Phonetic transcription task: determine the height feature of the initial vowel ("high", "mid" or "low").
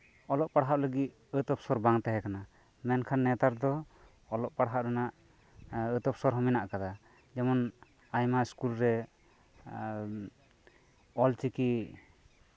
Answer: mid